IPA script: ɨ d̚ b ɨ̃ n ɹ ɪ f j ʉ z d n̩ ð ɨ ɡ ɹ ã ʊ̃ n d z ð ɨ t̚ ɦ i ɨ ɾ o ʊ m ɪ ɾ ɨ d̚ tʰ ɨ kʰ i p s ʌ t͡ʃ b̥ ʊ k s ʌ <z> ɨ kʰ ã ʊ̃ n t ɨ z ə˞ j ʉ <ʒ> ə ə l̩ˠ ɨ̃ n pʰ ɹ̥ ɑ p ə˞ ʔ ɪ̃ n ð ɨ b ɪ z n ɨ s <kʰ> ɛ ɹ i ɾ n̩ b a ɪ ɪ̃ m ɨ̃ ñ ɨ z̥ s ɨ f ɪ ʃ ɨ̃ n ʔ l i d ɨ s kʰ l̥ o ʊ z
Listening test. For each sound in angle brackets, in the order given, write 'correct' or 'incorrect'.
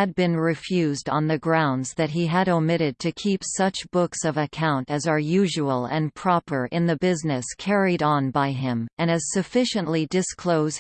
incorrect, correct, correct

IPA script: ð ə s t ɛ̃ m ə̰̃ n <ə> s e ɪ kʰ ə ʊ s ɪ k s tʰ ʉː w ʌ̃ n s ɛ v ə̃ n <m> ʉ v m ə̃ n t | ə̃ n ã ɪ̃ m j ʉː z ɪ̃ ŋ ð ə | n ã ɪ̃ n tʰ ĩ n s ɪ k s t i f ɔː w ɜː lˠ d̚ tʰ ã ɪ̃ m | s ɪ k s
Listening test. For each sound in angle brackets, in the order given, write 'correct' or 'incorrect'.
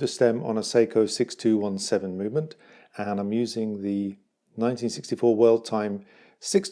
correct, correct

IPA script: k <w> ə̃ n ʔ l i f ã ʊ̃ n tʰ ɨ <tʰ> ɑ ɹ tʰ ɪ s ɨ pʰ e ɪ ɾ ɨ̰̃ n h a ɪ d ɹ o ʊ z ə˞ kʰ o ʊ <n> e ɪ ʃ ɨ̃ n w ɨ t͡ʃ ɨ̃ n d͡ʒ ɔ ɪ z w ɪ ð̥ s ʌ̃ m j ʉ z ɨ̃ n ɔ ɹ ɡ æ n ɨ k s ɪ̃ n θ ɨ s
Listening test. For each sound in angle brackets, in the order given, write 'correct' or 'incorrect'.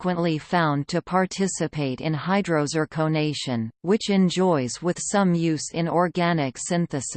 correct, incorrect, correct

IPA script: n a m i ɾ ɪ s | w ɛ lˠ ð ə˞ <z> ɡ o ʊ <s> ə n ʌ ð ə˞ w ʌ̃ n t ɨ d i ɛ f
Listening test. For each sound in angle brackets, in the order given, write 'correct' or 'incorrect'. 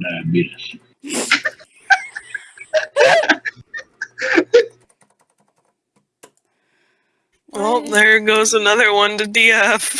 incorrect, incorrect

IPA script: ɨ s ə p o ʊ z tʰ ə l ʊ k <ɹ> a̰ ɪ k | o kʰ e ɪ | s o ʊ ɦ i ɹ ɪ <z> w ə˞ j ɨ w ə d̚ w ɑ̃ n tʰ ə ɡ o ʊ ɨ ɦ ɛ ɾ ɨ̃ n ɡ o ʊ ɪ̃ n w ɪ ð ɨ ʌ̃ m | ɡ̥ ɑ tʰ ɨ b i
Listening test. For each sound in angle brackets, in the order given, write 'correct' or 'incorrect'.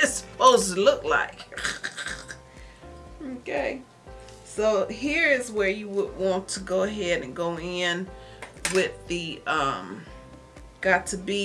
incorrect, correct

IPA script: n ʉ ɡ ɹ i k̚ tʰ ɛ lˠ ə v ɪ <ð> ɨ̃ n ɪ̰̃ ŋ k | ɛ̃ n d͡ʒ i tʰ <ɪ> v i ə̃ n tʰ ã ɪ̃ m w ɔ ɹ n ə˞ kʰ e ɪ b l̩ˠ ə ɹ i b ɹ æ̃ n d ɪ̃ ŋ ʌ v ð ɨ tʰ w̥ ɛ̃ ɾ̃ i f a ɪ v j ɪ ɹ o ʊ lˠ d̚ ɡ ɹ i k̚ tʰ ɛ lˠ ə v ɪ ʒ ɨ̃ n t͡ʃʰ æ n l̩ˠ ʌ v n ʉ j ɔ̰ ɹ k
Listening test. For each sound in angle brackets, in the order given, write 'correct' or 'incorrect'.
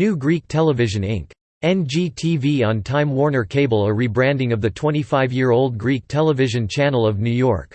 incorrect, incorrect

